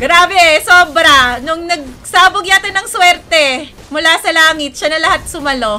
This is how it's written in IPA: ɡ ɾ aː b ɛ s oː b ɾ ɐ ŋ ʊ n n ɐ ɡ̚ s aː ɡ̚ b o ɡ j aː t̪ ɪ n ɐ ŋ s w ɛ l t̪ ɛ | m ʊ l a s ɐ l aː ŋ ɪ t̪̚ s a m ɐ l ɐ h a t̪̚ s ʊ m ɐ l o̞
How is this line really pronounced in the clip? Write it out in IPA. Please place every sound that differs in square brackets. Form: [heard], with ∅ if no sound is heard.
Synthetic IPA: ɡ ɾ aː b ɛ s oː b ɾ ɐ [n] ʊ [ŋ] n ɐ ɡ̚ s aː [∅] b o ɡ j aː t̪ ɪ n ɐ ŋ s w ɛ [ɾ] t̪ ɛ | m ʊ l a s ɐ l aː ŋ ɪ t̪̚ [ʃ] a [n] ɐ l ɐ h a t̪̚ s ʊ m ɐ l o̞